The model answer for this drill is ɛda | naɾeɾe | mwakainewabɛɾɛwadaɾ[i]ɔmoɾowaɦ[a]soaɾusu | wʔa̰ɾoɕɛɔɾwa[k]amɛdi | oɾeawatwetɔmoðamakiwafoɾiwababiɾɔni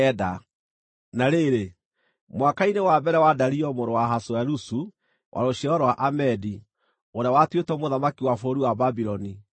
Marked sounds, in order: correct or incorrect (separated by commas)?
correct, correct, incorrect